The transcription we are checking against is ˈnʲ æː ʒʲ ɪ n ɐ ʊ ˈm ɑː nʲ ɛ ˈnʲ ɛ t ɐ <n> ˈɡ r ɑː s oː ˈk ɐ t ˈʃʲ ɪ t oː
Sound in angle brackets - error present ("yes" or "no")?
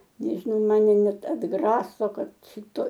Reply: yes